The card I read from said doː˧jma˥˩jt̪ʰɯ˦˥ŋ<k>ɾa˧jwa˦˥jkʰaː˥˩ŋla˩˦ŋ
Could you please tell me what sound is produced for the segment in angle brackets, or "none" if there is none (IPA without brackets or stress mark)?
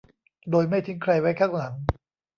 kʰ